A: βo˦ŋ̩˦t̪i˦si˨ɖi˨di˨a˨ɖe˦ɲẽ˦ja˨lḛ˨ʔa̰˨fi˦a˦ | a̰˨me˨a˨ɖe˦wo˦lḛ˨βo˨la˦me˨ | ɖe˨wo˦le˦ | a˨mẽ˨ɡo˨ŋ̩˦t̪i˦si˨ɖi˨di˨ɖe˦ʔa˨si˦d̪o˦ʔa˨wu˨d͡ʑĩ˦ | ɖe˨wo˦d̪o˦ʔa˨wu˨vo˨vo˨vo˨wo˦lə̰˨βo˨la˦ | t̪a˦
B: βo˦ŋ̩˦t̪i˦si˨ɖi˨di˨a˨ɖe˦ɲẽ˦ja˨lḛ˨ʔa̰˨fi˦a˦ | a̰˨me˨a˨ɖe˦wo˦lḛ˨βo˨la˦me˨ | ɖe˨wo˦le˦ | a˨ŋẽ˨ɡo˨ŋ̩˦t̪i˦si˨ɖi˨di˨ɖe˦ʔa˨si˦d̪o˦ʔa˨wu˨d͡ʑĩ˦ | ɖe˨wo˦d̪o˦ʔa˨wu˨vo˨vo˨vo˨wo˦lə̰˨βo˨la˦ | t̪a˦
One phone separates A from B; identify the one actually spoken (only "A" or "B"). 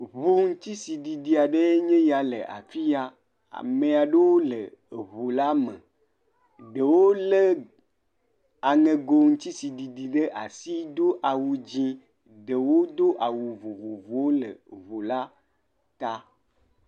B